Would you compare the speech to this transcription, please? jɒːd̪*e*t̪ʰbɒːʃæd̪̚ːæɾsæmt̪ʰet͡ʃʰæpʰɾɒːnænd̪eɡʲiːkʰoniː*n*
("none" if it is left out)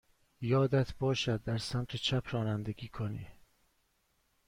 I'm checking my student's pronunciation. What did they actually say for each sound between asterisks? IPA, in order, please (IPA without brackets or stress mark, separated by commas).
æ, none